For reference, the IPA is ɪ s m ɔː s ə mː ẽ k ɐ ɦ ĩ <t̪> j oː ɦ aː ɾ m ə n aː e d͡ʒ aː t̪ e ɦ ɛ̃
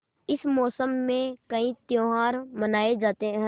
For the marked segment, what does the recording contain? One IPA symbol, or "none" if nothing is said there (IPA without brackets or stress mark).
t̪